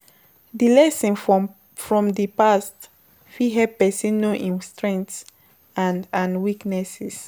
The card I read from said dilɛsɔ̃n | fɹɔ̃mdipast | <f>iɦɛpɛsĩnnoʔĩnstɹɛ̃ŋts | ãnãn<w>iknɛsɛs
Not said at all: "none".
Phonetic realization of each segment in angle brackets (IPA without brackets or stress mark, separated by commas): f, w